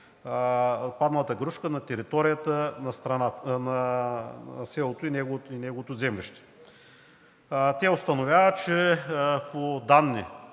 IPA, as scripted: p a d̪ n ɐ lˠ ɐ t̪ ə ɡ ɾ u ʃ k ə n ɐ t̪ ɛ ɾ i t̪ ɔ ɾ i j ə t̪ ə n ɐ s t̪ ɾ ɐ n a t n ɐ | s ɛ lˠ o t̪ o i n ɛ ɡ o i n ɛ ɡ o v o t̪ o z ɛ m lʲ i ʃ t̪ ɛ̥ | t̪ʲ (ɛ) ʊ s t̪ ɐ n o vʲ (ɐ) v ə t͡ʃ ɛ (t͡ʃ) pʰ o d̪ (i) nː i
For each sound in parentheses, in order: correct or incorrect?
correct, incorrect: a, incorrect: none, incorrect: a

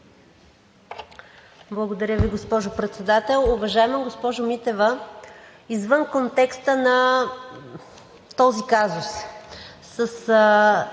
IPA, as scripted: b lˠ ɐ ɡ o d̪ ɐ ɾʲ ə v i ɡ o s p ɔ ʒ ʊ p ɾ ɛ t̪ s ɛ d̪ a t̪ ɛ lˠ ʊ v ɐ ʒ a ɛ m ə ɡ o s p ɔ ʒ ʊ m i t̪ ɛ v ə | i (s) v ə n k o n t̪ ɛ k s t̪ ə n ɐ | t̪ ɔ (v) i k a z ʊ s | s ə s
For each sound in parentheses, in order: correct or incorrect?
incorrect: z, incorrect: z

